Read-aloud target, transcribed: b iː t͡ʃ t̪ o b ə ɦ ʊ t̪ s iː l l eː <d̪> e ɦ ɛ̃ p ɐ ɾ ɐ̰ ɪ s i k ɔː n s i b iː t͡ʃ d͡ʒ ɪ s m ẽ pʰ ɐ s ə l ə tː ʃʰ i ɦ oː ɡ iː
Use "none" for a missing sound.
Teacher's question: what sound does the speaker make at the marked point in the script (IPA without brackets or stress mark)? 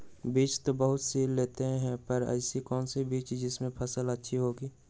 t̪